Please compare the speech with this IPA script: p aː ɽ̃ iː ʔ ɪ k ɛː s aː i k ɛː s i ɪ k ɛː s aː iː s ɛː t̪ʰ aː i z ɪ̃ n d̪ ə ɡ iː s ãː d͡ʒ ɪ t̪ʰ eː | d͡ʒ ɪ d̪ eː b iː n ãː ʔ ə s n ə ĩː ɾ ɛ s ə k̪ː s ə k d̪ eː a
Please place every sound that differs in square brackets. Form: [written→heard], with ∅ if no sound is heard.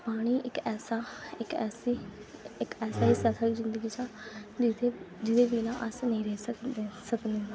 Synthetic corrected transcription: p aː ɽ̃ iː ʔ ɪ k ɛː s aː [i→ɪ] k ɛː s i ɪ k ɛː s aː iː s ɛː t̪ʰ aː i z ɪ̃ n d̪ ə ɡ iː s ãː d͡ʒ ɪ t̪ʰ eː | d͡ʒ ɪ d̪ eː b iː n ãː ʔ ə s n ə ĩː ɾ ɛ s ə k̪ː s ə k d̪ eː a